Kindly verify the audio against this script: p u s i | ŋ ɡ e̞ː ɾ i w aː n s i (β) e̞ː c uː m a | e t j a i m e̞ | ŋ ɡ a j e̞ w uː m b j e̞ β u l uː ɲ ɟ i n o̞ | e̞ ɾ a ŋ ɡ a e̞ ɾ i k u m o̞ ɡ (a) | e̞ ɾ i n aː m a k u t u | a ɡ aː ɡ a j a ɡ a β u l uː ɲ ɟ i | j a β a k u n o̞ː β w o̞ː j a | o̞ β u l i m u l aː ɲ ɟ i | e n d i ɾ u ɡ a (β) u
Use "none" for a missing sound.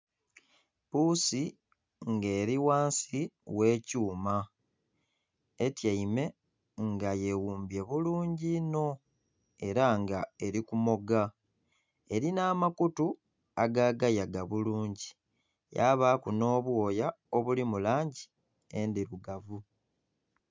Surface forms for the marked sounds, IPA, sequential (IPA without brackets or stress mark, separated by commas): w, a, v